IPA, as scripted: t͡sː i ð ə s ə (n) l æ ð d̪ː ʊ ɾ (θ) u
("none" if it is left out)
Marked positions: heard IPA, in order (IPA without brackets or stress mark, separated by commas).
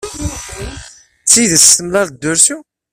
m, s